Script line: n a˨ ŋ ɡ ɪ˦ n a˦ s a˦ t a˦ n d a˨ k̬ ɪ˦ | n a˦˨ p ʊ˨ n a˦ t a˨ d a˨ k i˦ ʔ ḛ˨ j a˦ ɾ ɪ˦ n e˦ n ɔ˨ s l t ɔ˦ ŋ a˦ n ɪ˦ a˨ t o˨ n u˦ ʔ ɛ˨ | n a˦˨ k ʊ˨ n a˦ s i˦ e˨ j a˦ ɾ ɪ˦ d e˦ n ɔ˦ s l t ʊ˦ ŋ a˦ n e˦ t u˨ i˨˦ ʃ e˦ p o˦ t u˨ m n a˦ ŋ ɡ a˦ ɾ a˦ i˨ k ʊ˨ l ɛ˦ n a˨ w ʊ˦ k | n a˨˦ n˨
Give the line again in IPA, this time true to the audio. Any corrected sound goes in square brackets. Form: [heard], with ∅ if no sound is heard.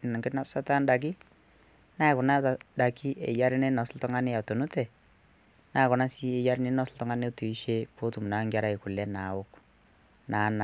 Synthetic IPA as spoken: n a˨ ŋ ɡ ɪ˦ n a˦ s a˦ t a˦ n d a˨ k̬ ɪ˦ | n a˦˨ [k] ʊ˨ n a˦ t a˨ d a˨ k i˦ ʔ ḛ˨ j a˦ ɾ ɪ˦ n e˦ n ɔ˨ s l t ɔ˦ ŋ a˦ n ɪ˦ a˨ t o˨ n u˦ [t] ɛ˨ | n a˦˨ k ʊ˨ n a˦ s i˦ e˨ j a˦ ɾ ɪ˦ [n] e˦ n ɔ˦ s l t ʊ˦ ŋ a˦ n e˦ t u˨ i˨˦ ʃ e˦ p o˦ t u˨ m n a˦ ŋ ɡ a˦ ɾ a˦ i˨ k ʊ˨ l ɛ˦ n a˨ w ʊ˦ k | n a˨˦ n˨